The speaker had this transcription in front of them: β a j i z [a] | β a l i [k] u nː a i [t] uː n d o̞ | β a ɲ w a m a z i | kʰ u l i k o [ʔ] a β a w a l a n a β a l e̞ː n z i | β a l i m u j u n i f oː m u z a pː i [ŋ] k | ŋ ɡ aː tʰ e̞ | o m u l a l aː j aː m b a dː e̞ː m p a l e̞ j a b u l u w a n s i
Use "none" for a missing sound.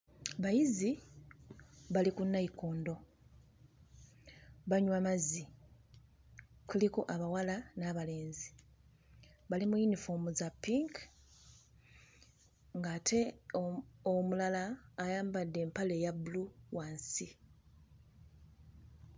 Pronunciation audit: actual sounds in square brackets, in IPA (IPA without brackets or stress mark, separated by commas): i, k, k, ʔ, ŋ